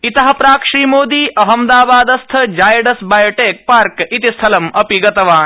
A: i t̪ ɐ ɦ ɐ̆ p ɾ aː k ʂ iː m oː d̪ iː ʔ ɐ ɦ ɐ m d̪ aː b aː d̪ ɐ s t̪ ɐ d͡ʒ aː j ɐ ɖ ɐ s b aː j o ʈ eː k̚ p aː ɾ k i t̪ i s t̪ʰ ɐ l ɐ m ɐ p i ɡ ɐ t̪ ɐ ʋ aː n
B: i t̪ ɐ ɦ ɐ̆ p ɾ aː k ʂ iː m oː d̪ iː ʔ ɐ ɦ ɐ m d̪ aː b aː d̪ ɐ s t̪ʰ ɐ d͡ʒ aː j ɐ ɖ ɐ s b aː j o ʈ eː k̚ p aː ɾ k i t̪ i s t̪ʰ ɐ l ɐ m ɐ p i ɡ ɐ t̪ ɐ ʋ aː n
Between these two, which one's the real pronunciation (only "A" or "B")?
B